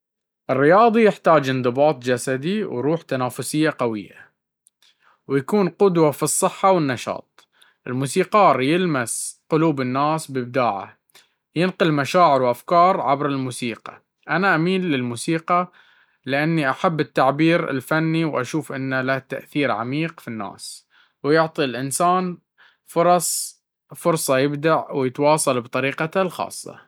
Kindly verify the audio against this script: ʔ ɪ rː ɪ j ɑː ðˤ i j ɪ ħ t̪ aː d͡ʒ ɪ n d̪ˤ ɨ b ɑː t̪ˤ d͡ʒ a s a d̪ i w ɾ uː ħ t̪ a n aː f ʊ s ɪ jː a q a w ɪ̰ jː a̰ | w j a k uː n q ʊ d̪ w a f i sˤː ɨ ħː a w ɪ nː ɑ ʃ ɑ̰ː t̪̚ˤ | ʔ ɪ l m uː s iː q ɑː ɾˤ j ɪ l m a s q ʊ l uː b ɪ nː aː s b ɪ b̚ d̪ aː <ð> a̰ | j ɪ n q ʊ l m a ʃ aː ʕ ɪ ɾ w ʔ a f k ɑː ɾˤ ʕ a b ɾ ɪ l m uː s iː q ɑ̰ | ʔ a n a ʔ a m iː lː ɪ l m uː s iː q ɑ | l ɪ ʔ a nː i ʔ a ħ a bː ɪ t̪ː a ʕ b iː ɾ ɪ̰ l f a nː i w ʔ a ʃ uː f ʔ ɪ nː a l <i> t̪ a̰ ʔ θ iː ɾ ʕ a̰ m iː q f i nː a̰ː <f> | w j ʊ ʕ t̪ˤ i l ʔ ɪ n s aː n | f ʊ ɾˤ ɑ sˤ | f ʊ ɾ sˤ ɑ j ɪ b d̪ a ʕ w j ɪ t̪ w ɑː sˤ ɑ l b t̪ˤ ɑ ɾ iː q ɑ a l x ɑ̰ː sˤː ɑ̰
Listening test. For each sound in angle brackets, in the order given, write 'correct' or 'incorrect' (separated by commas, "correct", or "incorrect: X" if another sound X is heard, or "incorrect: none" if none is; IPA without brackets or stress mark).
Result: incorrect: ʕ, incorrect: a, incorrect: s